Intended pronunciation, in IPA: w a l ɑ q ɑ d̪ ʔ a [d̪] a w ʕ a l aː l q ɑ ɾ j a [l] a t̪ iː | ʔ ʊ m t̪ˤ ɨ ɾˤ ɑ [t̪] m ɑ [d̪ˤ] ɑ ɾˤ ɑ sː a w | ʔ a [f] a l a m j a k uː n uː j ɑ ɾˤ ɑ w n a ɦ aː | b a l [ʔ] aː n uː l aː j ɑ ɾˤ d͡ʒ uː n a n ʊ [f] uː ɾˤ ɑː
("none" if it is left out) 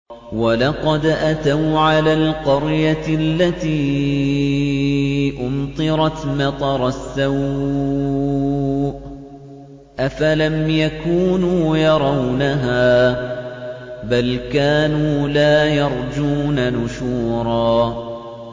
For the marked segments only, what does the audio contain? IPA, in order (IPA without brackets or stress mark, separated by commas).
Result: t̪, lː, t̪, t̪ˤ, f, k, ʃ